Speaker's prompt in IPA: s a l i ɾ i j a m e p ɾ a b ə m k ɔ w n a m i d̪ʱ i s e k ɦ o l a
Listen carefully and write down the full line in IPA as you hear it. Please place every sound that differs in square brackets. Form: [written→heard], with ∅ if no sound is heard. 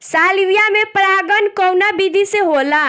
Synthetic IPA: s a l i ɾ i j a m e p ɾ a [b→ɡ] ə [m→n] k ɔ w n a [m→b] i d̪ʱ i s e [k→∅] ɦ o l a